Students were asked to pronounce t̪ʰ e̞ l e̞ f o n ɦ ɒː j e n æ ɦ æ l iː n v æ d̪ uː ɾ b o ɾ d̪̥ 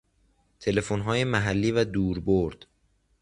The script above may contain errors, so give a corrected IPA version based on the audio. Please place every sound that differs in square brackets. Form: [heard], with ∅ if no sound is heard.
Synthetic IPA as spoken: t̪ʰ e̞ l e̞ f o n ɦ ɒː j e [m] æ ɦ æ [lː] iː [∅] v æ d̪ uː ɾ b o ɾ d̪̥